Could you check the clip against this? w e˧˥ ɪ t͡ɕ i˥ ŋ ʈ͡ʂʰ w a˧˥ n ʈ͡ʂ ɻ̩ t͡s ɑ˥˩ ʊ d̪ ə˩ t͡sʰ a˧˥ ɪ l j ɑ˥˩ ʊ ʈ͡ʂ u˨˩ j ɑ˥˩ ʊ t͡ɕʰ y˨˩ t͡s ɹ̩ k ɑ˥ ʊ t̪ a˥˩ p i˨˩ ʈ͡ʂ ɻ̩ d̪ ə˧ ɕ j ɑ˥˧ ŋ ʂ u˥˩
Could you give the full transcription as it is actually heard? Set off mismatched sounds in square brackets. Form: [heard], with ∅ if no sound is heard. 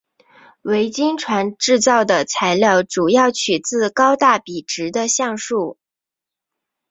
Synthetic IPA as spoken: w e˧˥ ɪ t͡ɕ i˥ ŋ ʈ͡ʂʰ w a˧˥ n ʈ͡ʂ ɻ̩ t͡s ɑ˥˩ ʊ d̪ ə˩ t͡sʰ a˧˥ ɪ l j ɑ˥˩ ʊ ʈ͡ʂ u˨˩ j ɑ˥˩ ʊ t͡ɕʰ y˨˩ t͡s ɹ̩ k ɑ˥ ʊ t̪ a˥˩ p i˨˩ ʈ͡ʂ ɻ̩ d̪ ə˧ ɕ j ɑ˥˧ ŋ ʂ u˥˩